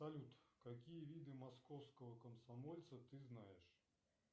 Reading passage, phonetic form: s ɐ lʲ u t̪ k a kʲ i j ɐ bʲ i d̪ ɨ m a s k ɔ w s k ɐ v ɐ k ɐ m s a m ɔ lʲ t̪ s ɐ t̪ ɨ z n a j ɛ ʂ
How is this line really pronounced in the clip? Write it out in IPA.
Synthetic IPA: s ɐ lʲ u t̪ k a kʲ i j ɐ vʲ i d̪ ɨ m a s k ɔ w s k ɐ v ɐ k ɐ m s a m ɔ lʲ t̪ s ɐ t̪ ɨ z n a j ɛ ʂ